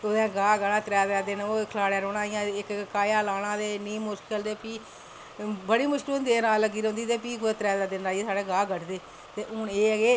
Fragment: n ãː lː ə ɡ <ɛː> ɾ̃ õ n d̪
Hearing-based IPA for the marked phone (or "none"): iː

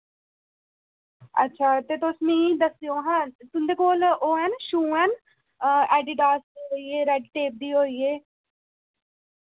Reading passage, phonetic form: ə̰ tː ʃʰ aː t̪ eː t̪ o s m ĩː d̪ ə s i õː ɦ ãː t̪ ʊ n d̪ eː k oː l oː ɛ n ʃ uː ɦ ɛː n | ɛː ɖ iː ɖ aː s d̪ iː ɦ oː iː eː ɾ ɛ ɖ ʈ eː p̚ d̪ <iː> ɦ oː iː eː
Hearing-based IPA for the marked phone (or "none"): iː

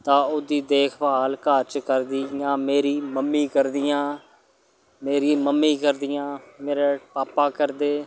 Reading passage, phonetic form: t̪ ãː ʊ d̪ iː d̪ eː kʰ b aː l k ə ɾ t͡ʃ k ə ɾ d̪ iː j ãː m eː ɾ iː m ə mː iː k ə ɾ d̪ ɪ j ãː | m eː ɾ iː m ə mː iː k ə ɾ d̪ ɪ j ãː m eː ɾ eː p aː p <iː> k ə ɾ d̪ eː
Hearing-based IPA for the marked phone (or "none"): aː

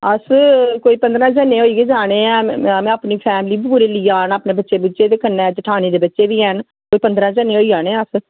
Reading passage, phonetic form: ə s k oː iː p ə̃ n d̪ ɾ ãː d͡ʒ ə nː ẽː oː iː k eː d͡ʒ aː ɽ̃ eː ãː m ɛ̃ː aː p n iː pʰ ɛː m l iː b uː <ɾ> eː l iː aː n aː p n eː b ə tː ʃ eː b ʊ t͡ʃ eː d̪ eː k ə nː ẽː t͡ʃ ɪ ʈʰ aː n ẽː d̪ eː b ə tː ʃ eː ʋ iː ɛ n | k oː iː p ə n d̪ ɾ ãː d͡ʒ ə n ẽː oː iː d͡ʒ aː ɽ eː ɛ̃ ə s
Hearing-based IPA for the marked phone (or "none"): ɾ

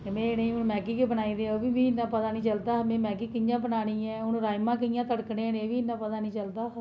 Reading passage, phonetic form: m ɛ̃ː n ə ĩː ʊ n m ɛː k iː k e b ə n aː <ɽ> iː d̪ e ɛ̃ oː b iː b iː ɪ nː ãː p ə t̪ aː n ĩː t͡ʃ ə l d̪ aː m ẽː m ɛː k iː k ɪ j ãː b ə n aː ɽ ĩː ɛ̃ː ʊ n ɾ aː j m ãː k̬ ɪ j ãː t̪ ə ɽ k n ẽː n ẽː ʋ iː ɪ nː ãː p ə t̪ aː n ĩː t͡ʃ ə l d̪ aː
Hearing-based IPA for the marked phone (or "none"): none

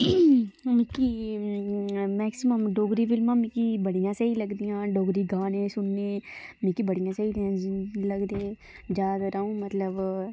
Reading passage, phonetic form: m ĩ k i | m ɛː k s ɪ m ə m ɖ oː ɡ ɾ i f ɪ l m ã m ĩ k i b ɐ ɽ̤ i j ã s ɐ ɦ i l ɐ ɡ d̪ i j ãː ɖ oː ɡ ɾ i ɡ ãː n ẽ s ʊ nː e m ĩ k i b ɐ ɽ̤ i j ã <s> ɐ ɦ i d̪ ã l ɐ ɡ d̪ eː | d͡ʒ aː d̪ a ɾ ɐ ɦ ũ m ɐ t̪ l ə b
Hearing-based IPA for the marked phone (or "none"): s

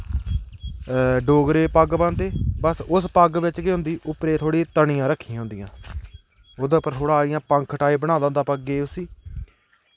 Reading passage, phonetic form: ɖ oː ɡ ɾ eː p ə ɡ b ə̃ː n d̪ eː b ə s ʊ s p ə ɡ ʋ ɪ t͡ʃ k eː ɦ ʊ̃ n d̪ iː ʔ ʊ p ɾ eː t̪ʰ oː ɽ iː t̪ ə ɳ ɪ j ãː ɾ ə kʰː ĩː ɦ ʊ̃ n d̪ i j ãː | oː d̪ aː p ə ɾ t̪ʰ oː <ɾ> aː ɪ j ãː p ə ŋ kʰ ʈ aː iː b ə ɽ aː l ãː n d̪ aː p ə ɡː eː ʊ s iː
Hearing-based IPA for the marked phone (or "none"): ɽ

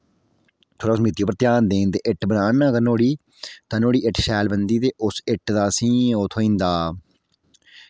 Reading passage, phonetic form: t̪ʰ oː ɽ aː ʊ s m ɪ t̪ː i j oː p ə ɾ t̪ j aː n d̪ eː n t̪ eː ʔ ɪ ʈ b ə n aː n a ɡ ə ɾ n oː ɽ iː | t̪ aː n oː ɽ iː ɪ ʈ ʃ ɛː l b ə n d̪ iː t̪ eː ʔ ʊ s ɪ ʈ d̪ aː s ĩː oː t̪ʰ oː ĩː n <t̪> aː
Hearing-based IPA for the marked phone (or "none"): d̪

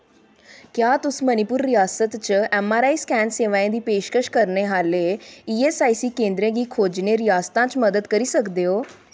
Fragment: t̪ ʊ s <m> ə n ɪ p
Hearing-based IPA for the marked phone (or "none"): m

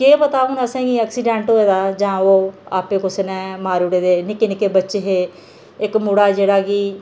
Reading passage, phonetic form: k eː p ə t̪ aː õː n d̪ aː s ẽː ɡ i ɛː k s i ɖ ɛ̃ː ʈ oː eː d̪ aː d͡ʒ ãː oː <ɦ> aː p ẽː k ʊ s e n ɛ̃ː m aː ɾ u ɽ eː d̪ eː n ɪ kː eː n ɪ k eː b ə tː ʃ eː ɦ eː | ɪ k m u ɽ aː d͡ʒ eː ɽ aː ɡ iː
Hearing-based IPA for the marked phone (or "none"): none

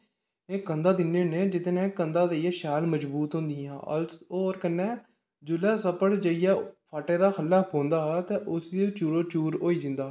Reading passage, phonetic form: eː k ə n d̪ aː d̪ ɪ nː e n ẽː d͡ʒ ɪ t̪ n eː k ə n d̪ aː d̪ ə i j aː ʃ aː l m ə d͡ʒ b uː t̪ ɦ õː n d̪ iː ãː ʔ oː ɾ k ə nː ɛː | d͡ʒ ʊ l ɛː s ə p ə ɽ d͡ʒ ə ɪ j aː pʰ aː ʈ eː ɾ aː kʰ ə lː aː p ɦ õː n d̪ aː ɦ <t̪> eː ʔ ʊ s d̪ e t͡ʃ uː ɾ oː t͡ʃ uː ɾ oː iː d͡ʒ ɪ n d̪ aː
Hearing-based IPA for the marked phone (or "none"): t̪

